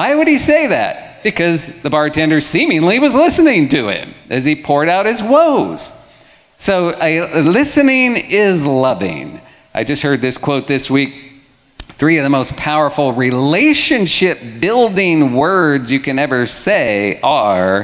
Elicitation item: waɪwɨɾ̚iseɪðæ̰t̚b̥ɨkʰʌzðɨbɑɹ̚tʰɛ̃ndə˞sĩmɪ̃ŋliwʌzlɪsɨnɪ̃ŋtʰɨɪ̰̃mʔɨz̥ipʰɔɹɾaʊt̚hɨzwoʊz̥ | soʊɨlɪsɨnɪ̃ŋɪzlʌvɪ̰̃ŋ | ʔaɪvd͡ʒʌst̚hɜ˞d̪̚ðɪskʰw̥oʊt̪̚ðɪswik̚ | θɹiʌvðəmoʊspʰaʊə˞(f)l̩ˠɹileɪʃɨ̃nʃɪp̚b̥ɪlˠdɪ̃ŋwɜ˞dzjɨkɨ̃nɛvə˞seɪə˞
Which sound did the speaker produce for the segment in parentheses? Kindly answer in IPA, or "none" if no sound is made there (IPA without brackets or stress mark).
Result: f